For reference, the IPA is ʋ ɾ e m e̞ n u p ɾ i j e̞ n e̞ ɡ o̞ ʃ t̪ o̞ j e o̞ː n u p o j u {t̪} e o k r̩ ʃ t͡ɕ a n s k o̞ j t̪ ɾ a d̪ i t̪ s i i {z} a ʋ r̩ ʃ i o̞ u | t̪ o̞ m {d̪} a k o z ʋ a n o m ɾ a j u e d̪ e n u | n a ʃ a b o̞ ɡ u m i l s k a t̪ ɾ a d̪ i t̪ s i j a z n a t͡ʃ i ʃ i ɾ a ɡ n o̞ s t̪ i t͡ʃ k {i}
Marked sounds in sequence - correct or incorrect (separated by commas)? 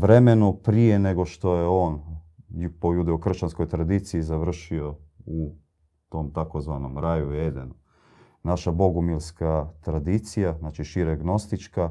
incorrect, correct, incorrect, incorrect